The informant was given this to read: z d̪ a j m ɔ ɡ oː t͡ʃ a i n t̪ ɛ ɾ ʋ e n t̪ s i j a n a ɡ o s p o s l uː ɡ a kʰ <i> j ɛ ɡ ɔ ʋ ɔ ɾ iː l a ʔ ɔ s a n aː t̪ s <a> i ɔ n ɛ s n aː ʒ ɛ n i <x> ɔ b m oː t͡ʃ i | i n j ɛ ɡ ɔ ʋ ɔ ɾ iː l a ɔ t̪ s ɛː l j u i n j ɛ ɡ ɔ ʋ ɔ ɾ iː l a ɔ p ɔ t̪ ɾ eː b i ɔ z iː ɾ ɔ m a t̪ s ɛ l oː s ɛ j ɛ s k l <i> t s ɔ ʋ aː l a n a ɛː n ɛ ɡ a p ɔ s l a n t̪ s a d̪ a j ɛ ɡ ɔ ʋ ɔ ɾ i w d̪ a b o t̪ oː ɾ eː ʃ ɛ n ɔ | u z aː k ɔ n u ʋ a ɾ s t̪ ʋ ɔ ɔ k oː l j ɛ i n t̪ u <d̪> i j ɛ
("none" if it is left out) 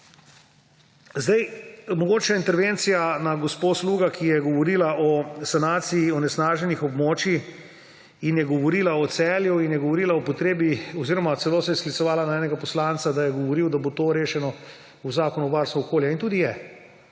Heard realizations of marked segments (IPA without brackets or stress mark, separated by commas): i, i, x, i, d̪